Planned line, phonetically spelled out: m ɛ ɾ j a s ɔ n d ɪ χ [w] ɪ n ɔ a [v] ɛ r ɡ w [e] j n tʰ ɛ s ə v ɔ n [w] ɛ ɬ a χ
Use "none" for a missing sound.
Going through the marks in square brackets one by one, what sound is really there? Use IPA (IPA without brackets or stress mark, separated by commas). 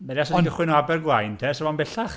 w, b, a, b